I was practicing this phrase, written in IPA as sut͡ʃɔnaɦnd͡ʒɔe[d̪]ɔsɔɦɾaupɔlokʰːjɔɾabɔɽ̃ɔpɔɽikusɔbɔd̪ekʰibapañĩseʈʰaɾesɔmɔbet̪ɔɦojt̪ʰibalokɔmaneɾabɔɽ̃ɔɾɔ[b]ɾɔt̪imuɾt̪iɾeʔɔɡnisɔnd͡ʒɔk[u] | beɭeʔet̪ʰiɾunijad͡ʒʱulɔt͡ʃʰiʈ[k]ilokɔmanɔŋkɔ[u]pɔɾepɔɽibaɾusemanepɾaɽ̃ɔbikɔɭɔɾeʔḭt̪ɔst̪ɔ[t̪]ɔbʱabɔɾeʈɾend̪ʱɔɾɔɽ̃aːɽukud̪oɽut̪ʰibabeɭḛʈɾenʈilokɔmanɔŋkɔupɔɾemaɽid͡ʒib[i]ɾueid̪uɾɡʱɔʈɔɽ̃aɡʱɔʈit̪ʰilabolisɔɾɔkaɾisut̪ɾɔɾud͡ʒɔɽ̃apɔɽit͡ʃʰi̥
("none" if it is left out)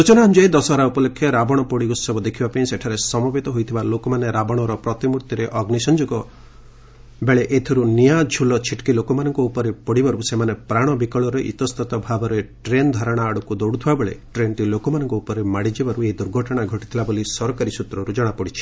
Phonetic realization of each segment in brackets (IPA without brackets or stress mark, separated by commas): d̪, p, ɔ, k, u, t̪, a